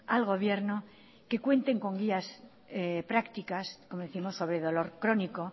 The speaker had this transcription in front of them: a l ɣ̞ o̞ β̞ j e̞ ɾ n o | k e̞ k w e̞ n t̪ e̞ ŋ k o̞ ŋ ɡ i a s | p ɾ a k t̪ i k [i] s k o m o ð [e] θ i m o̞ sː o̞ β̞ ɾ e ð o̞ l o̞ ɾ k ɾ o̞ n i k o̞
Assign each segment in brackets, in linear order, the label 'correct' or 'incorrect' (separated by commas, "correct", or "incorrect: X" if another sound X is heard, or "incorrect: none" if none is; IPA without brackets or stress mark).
incorrect: a, correct